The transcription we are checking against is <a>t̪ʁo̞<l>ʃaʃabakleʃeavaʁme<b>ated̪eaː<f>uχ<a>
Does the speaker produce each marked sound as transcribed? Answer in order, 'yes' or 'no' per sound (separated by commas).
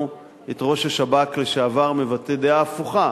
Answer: no, no, no, yes, yes